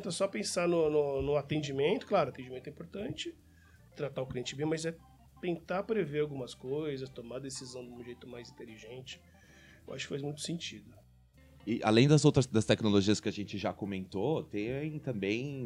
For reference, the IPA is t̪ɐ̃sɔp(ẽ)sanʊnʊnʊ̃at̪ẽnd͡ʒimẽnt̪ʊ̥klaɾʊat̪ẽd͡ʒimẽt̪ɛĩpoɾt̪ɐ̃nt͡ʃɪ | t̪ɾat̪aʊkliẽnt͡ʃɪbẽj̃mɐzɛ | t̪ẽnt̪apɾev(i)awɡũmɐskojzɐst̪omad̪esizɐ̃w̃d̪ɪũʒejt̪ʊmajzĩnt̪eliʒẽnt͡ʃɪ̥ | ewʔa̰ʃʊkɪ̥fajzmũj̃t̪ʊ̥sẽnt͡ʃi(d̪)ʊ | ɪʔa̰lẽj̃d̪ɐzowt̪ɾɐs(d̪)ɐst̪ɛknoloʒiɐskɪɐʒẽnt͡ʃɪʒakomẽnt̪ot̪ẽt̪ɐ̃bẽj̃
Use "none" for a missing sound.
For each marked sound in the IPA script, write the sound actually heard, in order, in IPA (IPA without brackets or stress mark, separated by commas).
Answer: ẽ, e, d̪, d̪